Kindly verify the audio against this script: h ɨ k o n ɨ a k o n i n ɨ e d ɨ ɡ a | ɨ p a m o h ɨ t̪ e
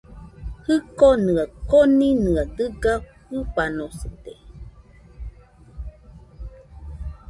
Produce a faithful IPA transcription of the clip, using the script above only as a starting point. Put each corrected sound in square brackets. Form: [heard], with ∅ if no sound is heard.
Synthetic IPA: h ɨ k o n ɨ a k o n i n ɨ [a] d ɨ ɡ a | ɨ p a [n] o [s] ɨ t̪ e